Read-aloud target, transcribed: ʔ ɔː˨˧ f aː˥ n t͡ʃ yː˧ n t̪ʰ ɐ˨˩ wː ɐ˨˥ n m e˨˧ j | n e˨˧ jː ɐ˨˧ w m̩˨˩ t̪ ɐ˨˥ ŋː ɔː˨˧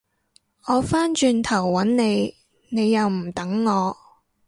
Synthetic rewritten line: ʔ ɔː˨˧ f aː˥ n t͡ʃ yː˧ n t̪ʰ ɐ˨˩ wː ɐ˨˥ n n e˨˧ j | n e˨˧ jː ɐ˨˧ w m̩˨˩ t̪ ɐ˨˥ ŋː ɔː˨˧